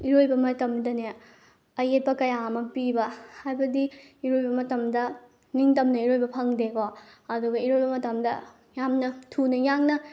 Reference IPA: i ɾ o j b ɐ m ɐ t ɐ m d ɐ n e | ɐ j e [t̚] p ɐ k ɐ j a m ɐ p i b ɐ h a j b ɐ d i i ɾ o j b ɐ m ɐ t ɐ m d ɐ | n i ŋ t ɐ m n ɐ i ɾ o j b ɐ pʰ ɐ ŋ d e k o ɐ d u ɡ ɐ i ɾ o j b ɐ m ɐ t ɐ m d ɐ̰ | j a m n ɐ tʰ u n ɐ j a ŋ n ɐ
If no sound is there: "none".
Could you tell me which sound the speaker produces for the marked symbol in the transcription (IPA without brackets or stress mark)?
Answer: t̚